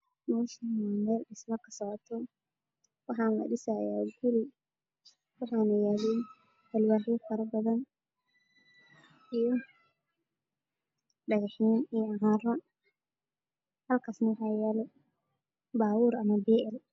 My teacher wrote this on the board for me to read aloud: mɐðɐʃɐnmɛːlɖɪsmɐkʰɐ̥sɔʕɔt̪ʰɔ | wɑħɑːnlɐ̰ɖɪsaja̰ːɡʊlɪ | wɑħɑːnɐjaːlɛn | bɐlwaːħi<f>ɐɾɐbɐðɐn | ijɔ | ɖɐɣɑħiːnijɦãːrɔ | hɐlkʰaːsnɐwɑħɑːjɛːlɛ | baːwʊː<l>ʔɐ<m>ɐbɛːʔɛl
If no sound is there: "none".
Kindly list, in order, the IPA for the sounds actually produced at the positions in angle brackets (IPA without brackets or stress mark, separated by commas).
f, ɾ, m